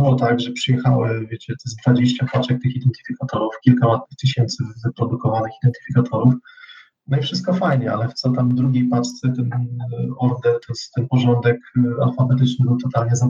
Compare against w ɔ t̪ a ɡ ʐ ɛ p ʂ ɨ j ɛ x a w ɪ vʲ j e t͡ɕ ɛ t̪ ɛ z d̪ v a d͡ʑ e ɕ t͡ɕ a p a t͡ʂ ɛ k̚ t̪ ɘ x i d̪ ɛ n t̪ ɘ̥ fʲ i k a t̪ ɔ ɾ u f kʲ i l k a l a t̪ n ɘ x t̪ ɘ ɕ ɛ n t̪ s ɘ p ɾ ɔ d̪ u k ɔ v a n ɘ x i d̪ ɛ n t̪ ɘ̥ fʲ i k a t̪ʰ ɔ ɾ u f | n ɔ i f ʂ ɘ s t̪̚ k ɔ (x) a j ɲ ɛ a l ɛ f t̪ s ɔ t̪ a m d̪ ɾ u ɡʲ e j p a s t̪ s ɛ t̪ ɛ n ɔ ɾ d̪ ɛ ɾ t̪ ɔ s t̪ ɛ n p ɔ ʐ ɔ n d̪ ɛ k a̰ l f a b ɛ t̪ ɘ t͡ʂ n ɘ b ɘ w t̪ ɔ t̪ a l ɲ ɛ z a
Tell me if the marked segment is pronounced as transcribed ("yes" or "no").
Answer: no